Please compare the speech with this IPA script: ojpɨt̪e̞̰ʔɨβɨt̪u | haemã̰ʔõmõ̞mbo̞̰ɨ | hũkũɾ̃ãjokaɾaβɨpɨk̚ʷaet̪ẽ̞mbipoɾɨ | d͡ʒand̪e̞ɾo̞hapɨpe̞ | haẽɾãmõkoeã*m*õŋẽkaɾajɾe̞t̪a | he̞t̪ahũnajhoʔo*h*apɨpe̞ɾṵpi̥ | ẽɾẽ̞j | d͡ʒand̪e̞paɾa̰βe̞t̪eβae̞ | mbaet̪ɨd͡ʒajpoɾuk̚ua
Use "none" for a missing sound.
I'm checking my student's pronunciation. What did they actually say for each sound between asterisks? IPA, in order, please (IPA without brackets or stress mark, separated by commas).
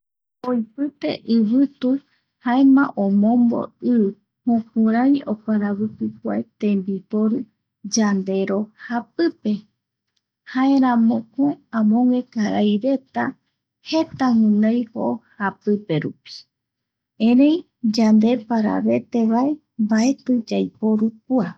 m, h